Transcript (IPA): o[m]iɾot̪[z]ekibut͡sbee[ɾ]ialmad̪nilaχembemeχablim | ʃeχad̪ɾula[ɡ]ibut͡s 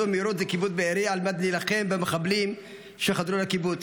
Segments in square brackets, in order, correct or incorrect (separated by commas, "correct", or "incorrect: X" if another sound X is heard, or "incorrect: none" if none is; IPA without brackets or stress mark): correct, correct, correct, incorrect: k